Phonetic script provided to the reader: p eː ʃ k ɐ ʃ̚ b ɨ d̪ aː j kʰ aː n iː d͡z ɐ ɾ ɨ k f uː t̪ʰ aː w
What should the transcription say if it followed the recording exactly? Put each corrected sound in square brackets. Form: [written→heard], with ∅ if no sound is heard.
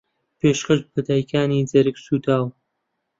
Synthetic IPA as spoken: p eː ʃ k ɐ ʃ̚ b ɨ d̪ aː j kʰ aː n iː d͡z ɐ ɾ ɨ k [f→s] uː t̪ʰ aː w

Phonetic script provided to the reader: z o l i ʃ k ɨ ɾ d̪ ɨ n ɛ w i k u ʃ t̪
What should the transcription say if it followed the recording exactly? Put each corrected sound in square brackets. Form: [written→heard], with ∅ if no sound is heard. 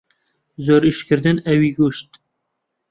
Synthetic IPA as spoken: z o [l→ɾ] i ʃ k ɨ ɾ d̪ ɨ n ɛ w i [k→ɡ] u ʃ t̪

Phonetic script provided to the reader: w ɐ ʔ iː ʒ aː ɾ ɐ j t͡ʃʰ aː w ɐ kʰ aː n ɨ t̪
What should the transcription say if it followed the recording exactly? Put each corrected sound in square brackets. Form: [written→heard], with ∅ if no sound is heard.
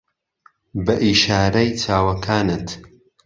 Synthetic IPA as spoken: [w→b] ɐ ʔ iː [ʒ→ʃ] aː ɾ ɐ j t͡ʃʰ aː w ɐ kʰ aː n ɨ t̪

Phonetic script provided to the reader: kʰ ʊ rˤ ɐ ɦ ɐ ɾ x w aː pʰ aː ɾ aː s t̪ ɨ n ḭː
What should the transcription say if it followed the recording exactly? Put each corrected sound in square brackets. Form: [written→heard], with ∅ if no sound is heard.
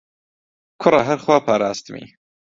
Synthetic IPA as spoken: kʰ ʊ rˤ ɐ ɦ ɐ ɾ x w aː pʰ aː ɾ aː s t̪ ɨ [n→m] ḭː

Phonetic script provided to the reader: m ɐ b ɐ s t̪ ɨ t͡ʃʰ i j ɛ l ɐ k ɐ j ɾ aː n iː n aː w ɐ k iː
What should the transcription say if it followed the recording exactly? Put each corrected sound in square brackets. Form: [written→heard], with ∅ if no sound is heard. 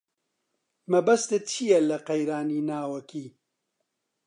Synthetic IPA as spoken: m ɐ b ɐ s t̪ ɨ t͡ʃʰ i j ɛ l ɐ [k→q] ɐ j ɾ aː n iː n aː w ɐ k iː

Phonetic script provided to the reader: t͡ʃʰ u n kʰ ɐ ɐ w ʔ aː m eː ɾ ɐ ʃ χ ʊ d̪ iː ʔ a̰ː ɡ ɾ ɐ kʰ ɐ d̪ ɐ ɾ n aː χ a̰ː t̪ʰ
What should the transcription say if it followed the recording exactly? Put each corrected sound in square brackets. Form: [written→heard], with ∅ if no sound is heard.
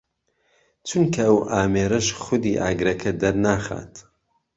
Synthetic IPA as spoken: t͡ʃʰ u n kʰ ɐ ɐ w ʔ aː m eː ɾ ɐ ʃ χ ʊ d̪ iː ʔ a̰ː ɡ ɾ ɐ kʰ ɐ d̪ ɐ ɾ n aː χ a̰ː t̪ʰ

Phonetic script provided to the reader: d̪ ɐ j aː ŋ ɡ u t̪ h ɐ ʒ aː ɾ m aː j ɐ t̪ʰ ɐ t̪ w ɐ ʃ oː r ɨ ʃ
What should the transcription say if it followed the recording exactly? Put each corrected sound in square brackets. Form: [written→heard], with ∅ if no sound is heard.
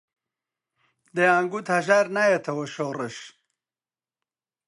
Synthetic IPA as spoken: d̪ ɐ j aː ŋ ɡ u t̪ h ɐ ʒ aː ɾ [m→n] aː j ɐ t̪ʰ ɐ [t̪→∅] w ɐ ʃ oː r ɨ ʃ

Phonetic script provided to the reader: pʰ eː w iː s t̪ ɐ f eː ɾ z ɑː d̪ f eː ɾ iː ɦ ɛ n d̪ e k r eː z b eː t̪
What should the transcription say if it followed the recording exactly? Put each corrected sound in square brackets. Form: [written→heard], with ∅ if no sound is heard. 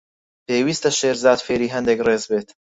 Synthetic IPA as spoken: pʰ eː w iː s t̪ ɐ [f→ʃ] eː ɾ z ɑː d̪ f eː ɾ iː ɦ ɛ n d̪ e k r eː z b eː t̪

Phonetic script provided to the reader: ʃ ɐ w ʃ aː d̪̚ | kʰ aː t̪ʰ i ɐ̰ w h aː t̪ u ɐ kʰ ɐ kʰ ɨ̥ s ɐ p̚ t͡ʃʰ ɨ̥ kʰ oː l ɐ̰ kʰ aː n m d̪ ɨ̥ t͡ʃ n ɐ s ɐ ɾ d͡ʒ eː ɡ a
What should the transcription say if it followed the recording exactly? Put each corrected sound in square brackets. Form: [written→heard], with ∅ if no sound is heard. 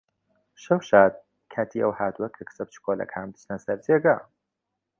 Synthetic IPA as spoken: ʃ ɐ w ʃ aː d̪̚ | kʰ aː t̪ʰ i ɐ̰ w h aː t̪ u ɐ kʰ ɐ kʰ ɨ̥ s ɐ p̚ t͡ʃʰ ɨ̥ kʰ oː l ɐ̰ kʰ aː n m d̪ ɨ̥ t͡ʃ n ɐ s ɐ ɾ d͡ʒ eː ɡ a

